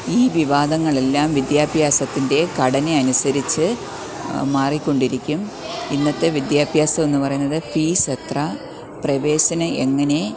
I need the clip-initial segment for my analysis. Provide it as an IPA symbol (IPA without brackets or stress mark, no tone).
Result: iː